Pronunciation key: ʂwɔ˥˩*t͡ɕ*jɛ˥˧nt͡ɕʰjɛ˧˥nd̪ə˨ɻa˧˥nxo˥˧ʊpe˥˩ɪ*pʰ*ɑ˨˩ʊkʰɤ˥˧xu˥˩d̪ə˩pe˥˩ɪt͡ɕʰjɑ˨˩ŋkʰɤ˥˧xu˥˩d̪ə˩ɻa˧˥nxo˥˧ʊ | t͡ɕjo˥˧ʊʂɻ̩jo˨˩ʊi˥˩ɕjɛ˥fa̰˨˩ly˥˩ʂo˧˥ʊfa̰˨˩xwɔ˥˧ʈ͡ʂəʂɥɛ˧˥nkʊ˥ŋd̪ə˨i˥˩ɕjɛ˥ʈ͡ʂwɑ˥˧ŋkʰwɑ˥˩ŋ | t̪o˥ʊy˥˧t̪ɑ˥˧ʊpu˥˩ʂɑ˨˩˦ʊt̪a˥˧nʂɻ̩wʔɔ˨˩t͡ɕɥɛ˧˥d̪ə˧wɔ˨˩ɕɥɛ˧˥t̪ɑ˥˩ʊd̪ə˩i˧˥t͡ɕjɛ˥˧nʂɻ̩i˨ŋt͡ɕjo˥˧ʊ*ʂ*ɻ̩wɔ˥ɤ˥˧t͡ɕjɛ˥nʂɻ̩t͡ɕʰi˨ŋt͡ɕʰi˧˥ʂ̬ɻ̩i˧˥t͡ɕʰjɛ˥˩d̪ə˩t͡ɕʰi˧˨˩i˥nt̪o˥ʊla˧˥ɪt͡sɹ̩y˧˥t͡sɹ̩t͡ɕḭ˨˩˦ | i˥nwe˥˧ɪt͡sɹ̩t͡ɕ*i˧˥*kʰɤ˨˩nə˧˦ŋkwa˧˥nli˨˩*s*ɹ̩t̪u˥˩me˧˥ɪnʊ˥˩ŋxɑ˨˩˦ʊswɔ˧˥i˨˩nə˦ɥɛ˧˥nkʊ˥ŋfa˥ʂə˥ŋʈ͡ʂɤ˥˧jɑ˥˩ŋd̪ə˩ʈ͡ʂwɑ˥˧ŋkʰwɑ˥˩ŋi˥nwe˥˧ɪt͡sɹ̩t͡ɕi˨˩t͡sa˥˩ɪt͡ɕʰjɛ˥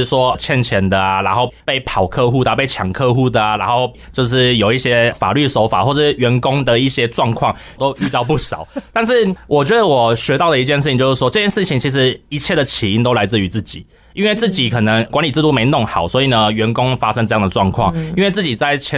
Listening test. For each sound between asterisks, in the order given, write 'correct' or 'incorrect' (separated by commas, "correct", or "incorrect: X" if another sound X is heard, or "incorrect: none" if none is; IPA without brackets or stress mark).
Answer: incorrect: t͡ɕʰ, correct, correct, incorrect: i˨˩, incorrect: t͡s